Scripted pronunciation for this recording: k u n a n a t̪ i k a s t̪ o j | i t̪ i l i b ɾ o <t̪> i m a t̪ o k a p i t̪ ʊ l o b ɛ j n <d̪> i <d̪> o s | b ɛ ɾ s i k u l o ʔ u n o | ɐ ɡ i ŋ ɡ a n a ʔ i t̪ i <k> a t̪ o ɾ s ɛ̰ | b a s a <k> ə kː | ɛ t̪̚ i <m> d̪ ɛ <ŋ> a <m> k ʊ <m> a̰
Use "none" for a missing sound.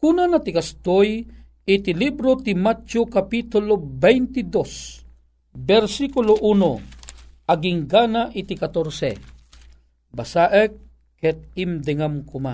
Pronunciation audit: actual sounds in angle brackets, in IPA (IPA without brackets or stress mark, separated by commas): t̪, t̪, d̪, k, ʔ, m, ŋ, m, m